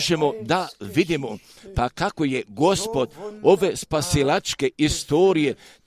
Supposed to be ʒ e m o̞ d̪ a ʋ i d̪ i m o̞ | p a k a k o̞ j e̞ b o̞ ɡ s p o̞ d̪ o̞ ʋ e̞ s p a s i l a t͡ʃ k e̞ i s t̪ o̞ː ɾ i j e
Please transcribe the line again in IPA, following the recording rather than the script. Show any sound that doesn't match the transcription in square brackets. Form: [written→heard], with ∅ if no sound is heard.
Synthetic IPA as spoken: ʒ e m o̞ d̪ a ʋ i d̪ i m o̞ | p a k a k o̞ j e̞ [b→ɡ] o̞ [ɡ→∅] s p o̞ d̪ o̞ ʋ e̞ s p a s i l a t͡ʃ k e̞ i s t̪ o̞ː ɾ i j e